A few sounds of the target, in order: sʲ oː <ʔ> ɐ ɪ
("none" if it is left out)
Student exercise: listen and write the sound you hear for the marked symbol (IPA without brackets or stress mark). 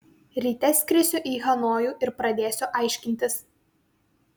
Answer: ʔ